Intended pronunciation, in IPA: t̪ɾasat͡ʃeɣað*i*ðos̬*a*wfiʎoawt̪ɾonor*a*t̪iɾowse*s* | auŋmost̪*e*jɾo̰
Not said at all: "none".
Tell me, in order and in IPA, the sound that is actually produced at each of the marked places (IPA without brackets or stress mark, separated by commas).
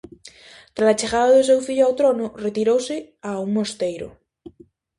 a, e, e, none, e